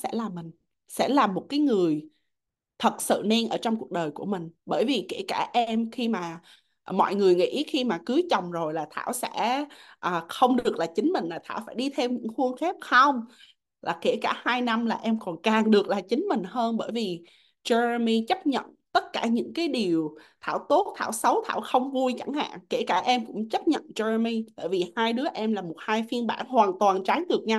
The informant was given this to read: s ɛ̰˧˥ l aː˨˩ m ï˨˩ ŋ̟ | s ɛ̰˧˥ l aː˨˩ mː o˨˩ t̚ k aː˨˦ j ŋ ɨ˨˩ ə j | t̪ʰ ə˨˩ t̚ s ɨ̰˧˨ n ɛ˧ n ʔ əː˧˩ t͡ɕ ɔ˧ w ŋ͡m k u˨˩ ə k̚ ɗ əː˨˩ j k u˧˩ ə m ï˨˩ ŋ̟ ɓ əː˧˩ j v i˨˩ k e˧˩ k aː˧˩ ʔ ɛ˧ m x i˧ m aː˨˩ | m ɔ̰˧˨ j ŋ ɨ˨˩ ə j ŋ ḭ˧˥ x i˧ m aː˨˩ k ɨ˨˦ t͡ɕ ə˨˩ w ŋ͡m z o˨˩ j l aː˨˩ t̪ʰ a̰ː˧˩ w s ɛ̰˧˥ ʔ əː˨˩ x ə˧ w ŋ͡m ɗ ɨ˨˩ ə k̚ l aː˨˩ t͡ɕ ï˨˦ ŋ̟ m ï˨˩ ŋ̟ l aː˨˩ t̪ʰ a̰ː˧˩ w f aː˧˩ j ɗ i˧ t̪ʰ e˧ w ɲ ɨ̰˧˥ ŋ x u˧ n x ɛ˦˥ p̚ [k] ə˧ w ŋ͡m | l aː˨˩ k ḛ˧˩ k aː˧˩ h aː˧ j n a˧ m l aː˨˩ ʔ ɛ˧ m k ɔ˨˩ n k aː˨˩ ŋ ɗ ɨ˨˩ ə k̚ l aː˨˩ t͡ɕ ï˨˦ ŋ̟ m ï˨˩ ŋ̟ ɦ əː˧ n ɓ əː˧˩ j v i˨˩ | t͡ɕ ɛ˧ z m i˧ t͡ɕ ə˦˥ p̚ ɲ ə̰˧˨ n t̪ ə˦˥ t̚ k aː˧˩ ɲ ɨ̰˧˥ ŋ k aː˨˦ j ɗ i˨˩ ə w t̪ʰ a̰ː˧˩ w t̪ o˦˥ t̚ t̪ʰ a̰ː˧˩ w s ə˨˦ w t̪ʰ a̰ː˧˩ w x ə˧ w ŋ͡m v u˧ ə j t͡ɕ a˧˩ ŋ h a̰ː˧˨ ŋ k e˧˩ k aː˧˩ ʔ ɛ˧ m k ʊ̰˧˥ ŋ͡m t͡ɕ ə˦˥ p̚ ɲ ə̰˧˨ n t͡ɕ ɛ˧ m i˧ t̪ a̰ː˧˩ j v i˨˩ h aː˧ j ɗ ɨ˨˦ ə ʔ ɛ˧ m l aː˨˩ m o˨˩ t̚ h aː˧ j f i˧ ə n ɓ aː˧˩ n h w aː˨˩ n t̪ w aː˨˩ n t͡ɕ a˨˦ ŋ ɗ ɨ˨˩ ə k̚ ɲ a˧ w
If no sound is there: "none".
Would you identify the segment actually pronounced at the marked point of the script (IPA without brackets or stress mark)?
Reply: x